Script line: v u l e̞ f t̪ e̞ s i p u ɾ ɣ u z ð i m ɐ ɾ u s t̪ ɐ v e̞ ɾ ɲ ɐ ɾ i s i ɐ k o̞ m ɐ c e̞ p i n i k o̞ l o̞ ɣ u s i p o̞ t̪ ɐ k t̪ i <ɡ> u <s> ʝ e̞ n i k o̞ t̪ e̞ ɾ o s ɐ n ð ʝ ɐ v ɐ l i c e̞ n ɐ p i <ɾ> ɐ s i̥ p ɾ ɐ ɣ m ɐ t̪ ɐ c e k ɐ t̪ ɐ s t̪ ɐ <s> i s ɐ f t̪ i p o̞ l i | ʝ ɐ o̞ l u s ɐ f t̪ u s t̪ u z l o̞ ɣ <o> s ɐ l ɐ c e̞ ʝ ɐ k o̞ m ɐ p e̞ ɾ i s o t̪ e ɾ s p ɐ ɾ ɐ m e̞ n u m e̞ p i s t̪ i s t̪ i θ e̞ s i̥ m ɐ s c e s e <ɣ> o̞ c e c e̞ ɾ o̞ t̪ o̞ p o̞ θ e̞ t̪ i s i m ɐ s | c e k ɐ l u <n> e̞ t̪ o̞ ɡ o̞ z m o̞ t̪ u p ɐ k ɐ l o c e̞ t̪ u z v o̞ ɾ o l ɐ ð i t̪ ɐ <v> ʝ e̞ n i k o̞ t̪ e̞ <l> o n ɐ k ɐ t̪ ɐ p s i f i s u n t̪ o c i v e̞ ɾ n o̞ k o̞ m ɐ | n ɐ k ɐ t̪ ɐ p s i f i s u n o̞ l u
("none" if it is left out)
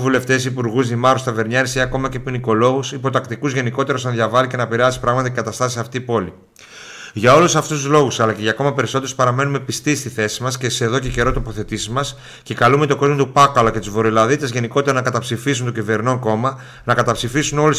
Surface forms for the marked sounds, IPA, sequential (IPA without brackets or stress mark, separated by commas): k, z, ɾ, s, u, ð, m, z, ɾ